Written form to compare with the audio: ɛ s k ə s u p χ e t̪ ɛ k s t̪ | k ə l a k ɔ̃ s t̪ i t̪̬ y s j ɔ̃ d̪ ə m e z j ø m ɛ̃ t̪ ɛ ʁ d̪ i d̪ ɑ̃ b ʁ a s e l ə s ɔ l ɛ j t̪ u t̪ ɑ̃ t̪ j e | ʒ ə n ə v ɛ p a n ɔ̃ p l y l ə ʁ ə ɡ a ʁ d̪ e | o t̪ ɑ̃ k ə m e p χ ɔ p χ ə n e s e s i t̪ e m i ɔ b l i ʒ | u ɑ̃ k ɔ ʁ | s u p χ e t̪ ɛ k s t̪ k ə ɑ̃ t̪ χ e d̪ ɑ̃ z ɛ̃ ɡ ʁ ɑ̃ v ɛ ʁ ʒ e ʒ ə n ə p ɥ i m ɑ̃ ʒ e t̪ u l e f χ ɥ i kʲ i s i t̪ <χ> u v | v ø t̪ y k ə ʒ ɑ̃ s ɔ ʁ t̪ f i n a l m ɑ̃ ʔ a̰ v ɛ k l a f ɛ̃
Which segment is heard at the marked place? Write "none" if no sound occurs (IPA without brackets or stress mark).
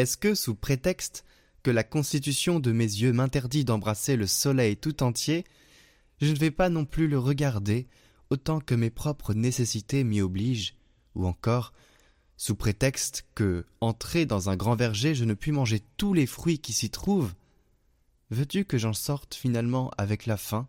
χ